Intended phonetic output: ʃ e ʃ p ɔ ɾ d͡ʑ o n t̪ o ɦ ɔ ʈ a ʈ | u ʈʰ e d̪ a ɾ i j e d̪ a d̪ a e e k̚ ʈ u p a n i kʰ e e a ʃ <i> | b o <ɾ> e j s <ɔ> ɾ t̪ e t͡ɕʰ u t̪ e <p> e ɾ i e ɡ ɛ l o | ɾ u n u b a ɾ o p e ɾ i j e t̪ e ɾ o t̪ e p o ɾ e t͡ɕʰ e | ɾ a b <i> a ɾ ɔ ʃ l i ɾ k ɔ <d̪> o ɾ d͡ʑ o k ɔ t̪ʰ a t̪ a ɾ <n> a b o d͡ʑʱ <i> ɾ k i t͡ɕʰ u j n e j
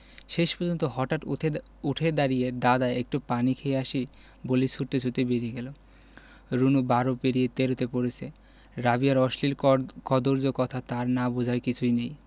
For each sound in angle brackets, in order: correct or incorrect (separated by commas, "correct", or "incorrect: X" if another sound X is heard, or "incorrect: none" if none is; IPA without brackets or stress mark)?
correct, incorrect: l, incorrect: u, incorrect: b, correct, correct, correct, incorrect: a